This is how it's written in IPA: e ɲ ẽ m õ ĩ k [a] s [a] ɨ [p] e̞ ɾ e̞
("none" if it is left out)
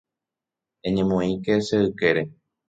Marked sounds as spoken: e, e, k

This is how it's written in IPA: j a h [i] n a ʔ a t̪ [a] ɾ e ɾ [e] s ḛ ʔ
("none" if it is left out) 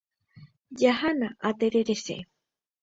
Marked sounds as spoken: a, e, e

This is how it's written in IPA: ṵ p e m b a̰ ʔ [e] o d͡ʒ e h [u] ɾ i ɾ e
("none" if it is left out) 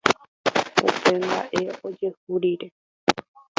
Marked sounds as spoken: e, u

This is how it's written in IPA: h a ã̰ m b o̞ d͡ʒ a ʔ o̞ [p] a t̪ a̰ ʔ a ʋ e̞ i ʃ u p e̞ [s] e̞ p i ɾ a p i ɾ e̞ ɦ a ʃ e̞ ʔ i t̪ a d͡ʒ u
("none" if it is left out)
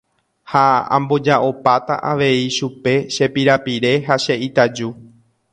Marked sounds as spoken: p, ʃ

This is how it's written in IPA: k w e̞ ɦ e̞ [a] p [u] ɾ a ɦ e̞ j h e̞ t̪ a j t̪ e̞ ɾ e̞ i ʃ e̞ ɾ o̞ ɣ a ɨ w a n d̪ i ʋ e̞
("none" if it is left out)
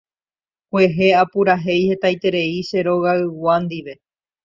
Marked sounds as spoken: a, u

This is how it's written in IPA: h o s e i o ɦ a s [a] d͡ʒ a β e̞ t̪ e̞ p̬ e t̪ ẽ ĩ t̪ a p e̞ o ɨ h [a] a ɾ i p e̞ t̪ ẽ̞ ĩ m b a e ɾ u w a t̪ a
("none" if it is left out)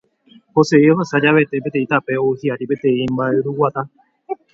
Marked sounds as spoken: a, i

